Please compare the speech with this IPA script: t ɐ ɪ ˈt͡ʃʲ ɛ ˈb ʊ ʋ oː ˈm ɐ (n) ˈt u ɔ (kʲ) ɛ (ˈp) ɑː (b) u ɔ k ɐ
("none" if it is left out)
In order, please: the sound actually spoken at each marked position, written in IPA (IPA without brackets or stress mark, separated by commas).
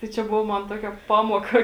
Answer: n, kʲ, p, m